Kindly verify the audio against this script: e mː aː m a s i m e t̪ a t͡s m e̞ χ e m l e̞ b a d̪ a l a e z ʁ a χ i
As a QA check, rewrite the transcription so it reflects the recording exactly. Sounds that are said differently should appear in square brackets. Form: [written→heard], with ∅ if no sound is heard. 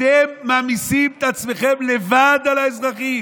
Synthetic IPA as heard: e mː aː m [a→i] s i m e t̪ a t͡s m e̞ χ e m l e̞ [b→v] a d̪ a l a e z ʁ a χ i